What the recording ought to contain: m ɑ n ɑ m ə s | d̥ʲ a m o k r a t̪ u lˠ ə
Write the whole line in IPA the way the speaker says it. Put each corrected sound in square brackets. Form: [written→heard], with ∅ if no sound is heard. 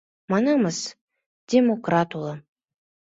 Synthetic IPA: m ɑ n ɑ m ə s | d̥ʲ [a→e] m o k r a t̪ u lˠ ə

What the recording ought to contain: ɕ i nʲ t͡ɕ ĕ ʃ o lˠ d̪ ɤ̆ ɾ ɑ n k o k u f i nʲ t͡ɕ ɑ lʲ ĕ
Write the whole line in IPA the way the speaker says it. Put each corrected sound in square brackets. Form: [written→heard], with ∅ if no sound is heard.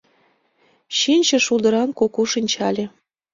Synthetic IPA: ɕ i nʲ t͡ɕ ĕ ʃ [o→u] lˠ d̪ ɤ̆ ɾ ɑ n k o k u [f→ʃ] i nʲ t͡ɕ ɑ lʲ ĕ

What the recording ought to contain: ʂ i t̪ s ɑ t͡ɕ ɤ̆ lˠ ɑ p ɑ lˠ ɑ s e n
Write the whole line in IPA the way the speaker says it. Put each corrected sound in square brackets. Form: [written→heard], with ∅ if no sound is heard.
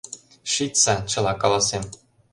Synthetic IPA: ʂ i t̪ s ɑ t͡ɕ ɤ̆ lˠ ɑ [p→k] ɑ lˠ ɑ s e [n→m]

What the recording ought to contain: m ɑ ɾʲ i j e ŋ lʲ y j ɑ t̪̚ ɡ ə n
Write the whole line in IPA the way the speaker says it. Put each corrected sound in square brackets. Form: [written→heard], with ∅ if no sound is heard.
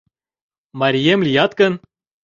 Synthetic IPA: m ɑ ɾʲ i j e [ŋ→m] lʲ [y→i] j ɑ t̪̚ [ɡ→k] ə n

